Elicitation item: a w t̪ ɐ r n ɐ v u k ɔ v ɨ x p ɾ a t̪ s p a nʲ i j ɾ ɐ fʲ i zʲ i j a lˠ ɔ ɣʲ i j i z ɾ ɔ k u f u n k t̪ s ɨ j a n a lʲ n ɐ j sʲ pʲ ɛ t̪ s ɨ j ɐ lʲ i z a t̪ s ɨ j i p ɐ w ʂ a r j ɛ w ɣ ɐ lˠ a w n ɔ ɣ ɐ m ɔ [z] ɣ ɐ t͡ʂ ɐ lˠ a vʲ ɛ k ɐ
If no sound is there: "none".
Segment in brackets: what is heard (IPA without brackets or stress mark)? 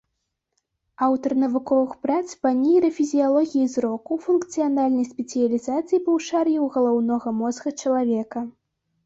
z